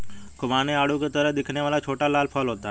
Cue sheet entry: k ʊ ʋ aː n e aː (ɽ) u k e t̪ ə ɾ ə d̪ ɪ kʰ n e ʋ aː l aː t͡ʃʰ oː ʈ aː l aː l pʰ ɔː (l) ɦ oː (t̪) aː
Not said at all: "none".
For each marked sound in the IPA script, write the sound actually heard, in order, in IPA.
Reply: ɽ, l, t̪

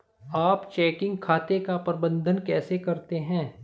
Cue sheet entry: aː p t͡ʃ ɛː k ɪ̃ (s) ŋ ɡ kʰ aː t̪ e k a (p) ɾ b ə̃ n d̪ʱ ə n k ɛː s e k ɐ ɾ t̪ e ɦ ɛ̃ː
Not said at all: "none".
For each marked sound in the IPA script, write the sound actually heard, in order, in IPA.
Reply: none, p

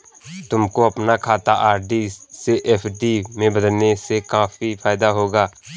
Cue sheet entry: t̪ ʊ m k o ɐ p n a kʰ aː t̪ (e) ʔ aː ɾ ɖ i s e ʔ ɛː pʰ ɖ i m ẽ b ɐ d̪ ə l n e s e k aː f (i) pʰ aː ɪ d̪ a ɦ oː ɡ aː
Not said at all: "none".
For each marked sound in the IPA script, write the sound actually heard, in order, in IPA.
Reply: a, i

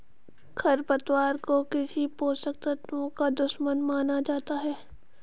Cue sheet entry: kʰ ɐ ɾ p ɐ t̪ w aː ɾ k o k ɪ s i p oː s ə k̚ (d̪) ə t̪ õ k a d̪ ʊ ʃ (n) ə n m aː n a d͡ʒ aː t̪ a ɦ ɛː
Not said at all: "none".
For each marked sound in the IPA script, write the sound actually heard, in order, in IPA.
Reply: t̪, m

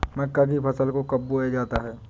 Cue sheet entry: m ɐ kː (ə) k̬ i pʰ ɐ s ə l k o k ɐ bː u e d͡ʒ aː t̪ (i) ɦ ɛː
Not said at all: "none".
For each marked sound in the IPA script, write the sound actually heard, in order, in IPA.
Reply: a, a

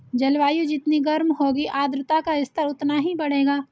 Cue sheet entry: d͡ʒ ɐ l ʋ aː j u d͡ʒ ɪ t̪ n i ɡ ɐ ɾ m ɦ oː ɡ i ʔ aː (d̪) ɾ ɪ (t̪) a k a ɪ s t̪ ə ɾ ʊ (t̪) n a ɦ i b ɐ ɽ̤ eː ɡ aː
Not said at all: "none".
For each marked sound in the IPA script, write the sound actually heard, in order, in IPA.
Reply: d̪, t̪, t̪

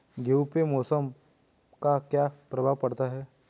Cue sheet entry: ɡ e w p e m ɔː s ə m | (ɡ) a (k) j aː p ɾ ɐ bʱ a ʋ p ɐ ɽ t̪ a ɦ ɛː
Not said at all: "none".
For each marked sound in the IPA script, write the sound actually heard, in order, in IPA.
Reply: k, k

